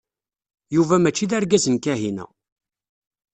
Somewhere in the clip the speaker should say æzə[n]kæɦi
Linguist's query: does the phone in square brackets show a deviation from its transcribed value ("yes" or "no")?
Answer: no